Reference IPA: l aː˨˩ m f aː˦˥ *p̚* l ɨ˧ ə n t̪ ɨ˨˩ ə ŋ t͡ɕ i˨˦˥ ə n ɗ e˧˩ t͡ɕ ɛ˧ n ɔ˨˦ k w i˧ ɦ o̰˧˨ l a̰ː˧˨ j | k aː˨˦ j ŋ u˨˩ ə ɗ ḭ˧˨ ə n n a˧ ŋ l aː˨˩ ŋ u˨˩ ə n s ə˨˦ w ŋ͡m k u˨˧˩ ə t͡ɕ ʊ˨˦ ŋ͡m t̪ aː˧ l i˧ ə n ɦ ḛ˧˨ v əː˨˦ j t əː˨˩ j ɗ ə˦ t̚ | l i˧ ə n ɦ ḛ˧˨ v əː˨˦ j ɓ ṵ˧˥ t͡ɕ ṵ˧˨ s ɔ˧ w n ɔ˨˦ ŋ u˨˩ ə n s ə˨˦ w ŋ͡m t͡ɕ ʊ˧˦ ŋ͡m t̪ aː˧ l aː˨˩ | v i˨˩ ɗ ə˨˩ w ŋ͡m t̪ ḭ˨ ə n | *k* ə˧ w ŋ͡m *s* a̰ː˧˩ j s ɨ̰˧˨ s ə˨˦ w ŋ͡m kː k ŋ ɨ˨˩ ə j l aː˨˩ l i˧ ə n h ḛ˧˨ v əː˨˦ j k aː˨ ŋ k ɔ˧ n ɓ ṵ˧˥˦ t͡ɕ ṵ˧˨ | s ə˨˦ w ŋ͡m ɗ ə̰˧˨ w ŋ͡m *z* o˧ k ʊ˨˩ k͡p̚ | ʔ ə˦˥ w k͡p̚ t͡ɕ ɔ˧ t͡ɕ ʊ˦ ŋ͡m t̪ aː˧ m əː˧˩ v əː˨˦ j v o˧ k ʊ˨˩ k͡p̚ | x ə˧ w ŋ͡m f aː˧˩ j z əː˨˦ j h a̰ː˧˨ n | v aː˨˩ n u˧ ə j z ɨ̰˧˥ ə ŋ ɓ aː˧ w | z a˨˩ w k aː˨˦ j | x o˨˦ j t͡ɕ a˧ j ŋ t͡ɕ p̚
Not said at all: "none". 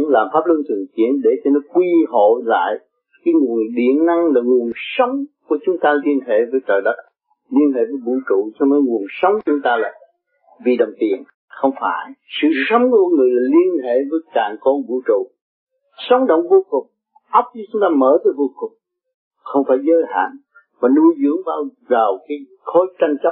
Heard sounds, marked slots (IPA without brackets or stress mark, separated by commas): p̚, x, f, v